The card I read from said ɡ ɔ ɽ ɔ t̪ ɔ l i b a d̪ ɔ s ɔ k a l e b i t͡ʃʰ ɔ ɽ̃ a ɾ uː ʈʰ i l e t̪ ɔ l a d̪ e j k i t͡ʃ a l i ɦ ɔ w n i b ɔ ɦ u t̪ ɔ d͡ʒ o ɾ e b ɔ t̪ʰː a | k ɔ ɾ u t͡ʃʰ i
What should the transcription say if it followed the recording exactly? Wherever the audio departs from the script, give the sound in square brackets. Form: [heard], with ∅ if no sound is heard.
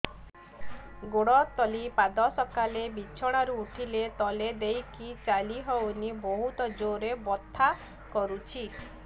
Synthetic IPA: ɡ [o] ɽ ɔ t̪ ɔ l i [p] a d̪ ɔ s ɔ k a l e b i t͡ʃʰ ɔ ɽ̃ a ɾ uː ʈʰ i l e t̪ ɔ l [e] d̪ e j k i t͡ʃ a l i ɦ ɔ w n i b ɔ ɦ u t̪ ɔ d͡ʒ o ɾ e b ɔ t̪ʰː a | k ɔ ɾ u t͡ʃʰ i